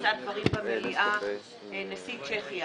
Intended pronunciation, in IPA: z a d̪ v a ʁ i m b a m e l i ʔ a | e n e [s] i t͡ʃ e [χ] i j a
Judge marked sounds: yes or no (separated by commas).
yes, yes